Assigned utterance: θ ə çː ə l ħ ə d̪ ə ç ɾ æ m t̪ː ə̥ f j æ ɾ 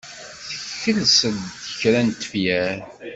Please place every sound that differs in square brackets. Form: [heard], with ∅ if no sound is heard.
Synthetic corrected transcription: θ ə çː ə l [s] ə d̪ ə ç ɾ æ [n] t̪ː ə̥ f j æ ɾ